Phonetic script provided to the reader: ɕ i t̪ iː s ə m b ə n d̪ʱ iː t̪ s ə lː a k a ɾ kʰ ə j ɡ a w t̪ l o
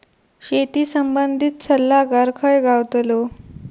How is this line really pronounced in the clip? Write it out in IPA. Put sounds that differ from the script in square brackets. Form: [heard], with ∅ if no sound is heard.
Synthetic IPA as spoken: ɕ [e] t̪ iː s ə m b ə n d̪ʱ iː t̪ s ə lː a [ɡ] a ɾ kʰ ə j ɡ a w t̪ l o